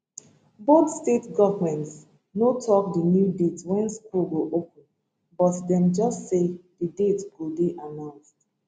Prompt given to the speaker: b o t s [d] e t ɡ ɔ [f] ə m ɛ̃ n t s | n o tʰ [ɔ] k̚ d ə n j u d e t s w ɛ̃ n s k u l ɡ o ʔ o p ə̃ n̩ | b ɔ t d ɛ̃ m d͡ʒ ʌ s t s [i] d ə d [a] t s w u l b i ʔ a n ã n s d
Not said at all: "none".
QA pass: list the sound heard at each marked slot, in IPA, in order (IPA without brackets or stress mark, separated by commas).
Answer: t, v, ɔ, e, e